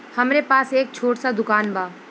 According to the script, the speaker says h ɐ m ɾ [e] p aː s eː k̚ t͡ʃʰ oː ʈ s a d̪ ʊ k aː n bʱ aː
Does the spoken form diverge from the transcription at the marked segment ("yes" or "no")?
no